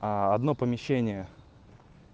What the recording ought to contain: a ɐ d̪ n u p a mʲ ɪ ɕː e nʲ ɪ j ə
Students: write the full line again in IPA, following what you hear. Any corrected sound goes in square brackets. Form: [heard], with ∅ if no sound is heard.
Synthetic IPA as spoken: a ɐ d̪ n [o] p [ə] mʲ ɪ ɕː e nʲ ɪ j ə